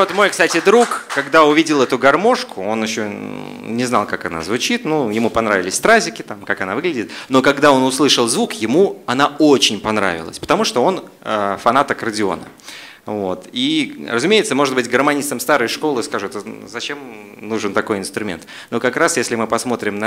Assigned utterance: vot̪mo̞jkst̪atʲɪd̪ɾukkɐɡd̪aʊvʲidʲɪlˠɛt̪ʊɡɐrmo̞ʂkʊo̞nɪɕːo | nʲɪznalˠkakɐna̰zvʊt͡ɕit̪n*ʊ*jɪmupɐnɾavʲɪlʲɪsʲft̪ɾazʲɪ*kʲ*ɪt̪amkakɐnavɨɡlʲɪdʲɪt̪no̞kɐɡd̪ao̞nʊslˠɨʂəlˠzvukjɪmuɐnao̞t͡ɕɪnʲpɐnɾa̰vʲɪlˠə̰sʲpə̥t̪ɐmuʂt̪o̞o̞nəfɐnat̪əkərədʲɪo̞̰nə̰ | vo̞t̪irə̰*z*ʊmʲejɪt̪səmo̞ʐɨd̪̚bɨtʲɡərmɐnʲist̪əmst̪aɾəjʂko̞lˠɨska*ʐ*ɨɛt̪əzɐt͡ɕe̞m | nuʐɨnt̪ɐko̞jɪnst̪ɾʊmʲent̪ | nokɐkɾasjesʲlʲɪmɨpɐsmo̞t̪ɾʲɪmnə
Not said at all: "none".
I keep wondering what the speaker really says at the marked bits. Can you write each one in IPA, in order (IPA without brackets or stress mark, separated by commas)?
u, kʲ, z, ʐ